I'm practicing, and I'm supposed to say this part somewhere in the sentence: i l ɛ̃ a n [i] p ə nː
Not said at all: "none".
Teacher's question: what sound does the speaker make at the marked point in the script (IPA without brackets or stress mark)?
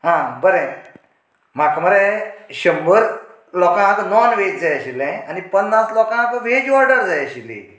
i